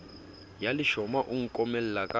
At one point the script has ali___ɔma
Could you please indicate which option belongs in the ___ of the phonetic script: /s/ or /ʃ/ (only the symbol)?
ʃ